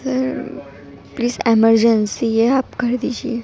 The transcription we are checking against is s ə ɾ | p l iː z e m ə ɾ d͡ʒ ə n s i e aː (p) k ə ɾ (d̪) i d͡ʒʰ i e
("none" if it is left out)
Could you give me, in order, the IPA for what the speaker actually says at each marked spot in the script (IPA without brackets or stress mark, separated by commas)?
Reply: p, d̪